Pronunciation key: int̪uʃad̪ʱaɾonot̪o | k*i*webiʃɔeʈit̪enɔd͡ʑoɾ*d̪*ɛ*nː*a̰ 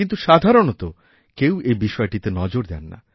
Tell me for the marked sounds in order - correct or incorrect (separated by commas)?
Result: incorrect, correct, correct